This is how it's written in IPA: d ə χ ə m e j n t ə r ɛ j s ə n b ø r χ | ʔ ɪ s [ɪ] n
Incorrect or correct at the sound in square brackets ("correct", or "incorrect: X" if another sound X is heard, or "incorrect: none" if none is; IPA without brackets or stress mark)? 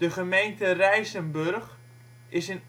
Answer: correct